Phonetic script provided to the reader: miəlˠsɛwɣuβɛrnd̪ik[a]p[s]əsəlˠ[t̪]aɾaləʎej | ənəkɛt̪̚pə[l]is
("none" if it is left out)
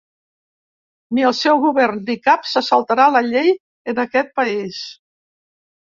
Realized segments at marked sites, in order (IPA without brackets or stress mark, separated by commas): a, s, t̪, none